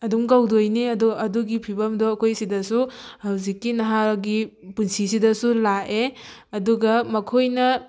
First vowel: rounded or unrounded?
unrounded